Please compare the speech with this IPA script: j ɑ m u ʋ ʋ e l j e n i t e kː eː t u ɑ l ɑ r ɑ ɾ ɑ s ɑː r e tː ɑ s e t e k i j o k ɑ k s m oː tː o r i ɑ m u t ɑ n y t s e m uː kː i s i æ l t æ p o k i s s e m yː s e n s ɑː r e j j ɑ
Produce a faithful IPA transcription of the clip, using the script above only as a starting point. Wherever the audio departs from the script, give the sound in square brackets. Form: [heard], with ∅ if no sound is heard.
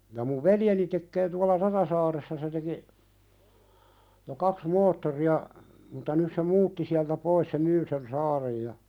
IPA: j ɑ m u ʋ ʋ e l j e n i t e kː eː t u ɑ l ɑ r ɑ ɾ ɑ s ɑː r e [sː] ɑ s e t e k i j o k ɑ k s m oː tː o r i ɑ m u t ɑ n y [s] s e m uː [tː] i s i æ l t æ p o [∅] i s s e m yː s e n s ɑː r e j j ɑ